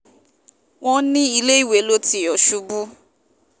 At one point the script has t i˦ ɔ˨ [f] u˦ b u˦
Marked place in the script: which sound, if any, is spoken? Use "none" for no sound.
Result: ʃ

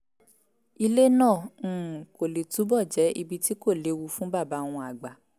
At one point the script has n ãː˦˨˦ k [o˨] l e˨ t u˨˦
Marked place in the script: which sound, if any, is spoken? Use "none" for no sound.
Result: o˨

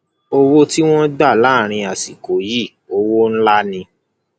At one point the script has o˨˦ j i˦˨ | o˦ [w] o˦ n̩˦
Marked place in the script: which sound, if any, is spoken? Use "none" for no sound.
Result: w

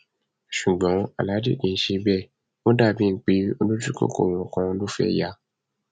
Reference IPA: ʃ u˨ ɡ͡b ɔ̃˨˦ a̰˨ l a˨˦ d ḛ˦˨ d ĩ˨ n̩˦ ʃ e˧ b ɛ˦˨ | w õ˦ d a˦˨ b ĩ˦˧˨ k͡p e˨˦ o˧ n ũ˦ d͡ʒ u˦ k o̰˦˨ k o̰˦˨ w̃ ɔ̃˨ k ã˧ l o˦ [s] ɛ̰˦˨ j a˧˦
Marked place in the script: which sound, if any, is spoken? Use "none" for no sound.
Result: f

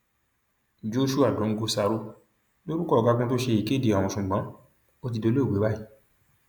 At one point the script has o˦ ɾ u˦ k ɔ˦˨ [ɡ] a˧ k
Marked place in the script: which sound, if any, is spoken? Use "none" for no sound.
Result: ɡ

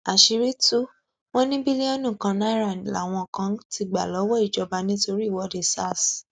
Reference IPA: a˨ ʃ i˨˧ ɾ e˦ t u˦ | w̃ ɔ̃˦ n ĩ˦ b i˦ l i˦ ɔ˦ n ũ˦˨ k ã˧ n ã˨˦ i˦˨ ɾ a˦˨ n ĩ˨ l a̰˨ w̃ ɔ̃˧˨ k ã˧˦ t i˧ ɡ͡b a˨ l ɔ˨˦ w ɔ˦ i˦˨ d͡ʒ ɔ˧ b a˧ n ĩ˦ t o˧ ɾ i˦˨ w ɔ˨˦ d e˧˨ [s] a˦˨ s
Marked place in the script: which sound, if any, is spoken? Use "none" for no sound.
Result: s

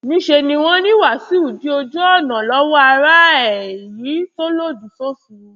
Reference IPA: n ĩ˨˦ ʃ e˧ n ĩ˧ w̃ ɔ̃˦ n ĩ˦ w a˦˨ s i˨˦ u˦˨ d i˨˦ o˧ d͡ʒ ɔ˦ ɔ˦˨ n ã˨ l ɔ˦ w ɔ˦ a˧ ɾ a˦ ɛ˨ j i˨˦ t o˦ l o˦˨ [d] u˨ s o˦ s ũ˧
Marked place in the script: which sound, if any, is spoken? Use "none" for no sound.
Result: d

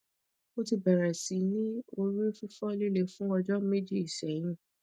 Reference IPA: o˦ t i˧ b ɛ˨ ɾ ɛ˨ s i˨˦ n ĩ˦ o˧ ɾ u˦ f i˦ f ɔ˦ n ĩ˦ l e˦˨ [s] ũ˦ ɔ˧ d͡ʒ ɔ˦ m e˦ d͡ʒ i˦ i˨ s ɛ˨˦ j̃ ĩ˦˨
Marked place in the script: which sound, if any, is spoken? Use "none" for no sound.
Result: f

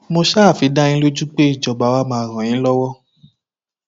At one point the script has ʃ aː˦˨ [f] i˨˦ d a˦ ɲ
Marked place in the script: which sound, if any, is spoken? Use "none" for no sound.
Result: f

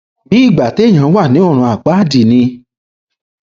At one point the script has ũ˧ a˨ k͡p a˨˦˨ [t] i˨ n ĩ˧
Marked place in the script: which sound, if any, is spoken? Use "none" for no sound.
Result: d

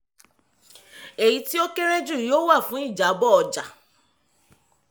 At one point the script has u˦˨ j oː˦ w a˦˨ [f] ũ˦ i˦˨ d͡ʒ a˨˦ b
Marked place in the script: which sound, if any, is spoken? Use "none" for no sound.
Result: f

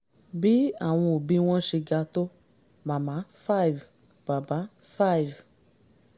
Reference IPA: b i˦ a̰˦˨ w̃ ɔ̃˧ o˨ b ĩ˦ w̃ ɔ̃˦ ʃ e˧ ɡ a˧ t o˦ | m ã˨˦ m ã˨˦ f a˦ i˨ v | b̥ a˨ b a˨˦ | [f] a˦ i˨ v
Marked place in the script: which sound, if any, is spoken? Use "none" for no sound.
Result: f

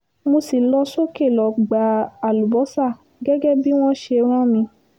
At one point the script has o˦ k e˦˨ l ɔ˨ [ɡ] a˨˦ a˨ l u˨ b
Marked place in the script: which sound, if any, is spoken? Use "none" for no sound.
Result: ɡ͡b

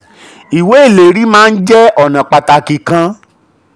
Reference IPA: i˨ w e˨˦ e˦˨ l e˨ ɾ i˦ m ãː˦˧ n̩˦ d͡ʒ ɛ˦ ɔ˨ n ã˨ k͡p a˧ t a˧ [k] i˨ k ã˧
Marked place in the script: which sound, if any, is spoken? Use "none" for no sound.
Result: k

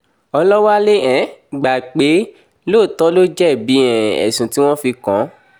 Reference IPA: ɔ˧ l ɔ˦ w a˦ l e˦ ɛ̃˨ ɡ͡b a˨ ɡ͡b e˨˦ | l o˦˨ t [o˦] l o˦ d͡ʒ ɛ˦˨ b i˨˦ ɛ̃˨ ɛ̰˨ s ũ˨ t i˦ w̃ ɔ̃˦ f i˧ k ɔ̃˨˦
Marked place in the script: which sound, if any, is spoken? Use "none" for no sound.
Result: ɔ˦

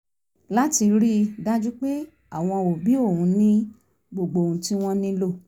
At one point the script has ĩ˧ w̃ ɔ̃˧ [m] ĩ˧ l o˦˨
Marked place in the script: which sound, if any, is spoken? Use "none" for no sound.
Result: n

